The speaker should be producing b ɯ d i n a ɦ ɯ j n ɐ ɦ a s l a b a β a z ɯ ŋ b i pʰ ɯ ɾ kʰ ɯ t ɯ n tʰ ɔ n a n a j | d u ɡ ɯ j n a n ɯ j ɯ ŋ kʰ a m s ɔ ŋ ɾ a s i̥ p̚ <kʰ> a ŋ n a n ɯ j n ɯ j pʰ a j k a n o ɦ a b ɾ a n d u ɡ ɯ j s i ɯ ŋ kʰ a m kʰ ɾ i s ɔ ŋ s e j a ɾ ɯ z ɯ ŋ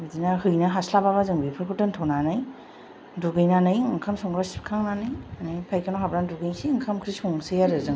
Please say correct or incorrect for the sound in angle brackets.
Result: correct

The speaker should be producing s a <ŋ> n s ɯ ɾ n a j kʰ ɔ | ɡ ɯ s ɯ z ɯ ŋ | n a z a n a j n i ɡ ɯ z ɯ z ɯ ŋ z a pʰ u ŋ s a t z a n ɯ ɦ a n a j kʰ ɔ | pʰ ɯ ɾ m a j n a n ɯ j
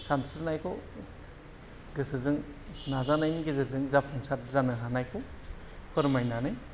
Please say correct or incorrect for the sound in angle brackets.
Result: incorrect: none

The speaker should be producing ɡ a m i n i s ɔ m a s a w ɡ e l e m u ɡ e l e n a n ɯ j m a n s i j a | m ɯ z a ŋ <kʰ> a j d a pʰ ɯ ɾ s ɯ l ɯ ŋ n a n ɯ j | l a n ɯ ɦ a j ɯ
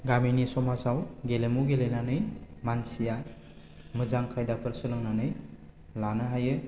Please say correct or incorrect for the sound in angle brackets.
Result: correct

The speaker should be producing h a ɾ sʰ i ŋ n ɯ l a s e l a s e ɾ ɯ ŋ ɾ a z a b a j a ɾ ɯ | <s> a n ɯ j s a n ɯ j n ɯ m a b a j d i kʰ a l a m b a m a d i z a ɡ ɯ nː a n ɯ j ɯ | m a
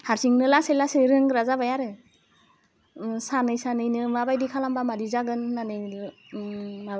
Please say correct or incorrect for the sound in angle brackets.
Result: correct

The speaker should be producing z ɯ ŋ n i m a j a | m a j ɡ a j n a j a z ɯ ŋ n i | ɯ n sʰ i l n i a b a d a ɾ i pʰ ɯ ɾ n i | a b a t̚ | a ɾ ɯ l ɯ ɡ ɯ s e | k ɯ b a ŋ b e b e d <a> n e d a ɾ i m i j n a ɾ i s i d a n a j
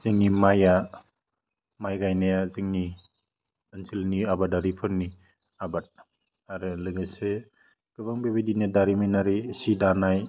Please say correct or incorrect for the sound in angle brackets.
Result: incorrect: i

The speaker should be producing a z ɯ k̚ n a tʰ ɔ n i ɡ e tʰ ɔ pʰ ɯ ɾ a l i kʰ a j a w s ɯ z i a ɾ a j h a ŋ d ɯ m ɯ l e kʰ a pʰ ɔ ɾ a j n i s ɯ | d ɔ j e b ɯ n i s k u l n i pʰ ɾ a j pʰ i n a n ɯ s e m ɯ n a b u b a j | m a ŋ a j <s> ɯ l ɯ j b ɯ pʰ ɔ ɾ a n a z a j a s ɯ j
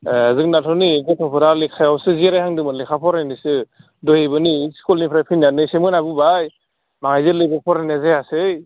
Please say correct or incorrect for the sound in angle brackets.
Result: incorrect: z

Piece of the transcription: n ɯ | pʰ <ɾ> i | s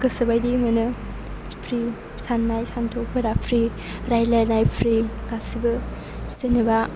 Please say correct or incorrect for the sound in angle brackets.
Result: correct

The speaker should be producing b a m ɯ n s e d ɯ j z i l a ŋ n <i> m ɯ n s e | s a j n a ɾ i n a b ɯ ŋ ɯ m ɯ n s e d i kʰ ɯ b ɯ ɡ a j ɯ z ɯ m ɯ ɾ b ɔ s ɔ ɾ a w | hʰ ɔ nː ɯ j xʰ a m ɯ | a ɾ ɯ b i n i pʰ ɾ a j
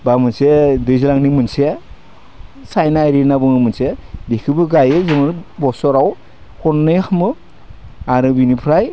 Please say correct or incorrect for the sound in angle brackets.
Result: correct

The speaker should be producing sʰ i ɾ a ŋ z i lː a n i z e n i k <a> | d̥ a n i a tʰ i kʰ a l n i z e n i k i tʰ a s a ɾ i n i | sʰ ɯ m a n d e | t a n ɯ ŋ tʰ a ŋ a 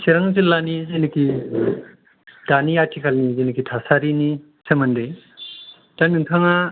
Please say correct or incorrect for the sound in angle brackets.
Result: incorrect: i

